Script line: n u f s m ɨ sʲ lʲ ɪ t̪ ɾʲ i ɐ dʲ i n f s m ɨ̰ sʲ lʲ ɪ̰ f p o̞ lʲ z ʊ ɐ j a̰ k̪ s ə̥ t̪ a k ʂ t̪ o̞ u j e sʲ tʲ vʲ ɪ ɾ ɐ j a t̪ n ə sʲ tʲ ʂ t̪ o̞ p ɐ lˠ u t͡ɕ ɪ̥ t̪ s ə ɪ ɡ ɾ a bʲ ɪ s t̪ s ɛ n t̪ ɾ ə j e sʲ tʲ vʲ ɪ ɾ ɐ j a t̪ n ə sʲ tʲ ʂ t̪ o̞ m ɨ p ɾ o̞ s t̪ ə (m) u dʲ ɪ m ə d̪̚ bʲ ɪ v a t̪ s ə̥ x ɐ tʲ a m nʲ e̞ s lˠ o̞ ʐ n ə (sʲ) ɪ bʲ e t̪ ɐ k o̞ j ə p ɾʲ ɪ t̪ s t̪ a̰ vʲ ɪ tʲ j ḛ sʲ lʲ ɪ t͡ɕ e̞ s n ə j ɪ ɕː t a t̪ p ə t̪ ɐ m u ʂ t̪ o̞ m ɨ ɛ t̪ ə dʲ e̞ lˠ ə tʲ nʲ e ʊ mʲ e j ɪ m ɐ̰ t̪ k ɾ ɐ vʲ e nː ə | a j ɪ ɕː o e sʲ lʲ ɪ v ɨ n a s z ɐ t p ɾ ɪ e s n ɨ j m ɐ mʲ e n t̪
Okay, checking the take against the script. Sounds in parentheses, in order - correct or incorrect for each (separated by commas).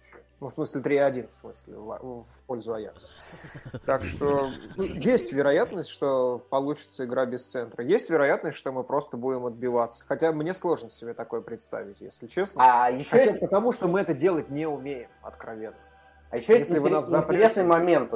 incorrect, correct